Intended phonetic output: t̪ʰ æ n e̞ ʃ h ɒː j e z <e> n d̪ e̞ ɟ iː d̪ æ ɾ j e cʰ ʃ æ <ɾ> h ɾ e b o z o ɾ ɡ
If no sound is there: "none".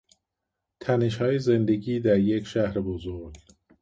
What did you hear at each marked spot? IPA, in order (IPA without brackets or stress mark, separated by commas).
e, none